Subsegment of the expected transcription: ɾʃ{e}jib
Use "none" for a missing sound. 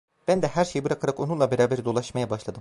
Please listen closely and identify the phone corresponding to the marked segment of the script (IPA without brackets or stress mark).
e